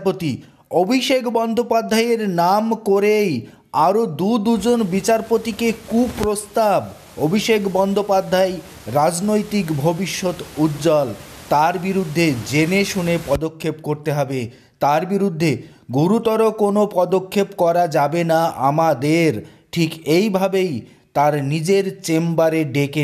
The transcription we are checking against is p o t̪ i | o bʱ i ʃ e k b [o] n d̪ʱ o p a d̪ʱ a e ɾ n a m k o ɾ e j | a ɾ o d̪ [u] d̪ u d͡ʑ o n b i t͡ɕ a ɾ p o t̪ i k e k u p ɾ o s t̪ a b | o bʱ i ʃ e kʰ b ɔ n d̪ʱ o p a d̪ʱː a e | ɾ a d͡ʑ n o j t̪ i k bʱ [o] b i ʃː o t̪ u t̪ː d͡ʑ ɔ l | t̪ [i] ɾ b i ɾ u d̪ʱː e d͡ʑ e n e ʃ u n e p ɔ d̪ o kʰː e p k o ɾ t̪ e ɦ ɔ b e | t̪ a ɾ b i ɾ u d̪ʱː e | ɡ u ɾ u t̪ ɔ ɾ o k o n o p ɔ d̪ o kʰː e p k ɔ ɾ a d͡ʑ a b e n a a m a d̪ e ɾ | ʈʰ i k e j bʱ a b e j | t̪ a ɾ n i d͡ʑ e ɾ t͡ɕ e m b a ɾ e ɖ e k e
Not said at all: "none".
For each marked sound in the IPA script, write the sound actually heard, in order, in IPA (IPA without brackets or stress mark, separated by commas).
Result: ɔ, u, o, a